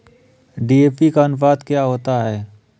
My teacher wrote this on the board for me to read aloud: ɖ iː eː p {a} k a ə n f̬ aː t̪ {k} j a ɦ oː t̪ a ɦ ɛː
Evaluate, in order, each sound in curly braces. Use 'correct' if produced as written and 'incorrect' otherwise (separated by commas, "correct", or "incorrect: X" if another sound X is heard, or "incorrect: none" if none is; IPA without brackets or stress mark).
incorrect: i, correct